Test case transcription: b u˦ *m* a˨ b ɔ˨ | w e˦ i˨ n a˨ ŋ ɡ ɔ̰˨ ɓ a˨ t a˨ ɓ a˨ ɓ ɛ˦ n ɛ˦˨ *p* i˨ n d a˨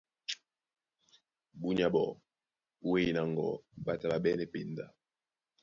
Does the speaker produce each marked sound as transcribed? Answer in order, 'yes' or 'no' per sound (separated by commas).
no, yes